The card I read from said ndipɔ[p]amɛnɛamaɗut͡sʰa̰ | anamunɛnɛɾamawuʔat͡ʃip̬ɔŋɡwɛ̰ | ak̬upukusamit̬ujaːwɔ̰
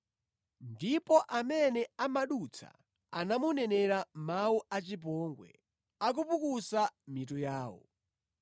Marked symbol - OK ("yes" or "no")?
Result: no